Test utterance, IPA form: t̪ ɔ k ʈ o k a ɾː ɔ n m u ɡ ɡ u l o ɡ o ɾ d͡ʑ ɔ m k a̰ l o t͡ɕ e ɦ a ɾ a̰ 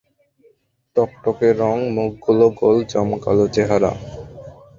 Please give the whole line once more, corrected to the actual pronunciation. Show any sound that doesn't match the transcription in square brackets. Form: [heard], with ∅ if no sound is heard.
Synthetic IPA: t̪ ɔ k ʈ o k [e] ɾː ɔ [ŋ] m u ɡ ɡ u l o ɡ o [l] d͡ʑ ɔ m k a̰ l o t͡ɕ e ɦ a ɾ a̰